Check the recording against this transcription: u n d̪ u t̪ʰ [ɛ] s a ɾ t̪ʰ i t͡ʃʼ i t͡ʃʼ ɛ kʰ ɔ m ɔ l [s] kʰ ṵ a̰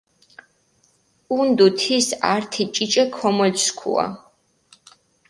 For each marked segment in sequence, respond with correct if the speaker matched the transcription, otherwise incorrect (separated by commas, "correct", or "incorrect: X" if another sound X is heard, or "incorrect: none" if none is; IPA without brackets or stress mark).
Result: incorrect: i, correct